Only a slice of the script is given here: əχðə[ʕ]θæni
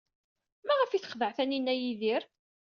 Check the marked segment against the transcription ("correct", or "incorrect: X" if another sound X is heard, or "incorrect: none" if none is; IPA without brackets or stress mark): correct